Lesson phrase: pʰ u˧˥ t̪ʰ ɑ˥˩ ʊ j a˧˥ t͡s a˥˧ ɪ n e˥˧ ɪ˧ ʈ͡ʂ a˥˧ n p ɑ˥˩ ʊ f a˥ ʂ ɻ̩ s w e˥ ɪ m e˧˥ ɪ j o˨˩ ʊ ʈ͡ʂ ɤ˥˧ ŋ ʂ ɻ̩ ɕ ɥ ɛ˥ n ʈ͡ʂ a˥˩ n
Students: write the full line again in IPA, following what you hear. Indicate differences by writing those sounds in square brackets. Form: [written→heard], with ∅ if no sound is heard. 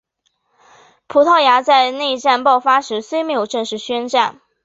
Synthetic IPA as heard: pʰ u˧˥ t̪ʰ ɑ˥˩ ʊ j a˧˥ t͡s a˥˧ ɪ n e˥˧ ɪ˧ ʈ͡ʂ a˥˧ n p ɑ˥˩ ʊ f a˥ ʂ ɻ̩ s w e˥ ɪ m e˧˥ ɪ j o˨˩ ʊ ʈ͡ʂ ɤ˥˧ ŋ ʂ ɻ̩ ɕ ɥ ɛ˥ n ʈ͡ʂ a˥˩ n